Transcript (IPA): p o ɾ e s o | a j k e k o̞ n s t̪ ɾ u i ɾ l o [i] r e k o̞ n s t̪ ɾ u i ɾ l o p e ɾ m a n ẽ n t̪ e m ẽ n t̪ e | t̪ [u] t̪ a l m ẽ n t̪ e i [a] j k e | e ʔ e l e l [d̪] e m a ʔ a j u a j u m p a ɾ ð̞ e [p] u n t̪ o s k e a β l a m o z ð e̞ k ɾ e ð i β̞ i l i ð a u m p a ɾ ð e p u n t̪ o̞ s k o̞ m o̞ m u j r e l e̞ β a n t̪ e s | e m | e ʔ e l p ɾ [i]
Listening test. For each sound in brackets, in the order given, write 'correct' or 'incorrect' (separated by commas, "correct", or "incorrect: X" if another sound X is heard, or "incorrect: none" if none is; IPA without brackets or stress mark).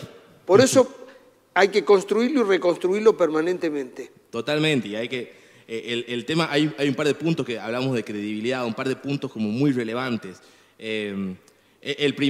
correct, incorrect: o, correct, incorrect: t̪, correct, correct